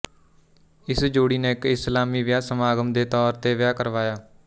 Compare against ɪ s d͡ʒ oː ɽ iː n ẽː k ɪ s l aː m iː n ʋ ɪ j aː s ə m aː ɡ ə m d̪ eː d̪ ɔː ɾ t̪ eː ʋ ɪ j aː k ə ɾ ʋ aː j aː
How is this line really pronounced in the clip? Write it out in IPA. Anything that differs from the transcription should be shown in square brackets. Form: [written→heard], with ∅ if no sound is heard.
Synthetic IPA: ɪ s d͡ʒ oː ɽ iː n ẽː k ɪ s l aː m iː [n→∅] ʋ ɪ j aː s ə m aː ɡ ə m d̪ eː [d̪→t̪] ɔː ɾ t̪ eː ʋ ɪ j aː k ə ɾ ʋ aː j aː